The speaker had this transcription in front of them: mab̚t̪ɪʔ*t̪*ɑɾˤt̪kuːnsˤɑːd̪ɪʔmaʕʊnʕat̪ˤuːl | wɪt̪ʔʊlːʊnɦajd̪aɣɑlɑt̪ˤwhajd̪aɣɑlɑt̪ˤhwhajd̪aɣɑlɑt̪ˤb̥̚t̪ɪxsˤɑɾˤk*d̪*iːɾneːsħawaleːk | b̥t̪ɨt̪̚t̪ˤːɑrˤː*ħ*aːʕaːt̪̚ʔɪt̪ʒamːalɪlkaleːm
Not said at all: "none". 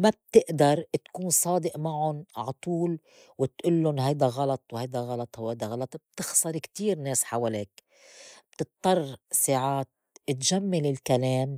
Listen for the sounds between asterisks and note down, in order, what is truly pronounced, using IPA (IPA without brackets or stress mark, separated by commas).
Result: d̪, t̪, s